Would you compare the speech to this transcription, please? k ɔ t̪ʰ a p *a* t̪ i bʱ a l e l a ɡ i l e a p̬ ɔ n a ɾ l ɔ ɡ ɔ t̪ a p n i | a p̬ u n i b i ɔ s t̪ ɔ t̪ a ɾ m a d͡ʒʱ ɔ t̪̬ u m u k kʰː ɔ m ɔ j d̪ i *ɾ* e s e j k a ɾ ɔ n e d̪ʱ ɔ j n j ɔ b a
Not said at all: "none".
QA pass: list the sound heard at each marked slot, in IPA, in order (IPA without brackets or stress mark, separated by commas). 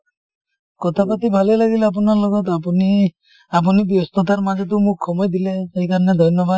a, l